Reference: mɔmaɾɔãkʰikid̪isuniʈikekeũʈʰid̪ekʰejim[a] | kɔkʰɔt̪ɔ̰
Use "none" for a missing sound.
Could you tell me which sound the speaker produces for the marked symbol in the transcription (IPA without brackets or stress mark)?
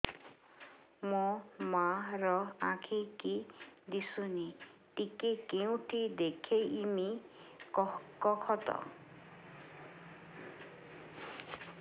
i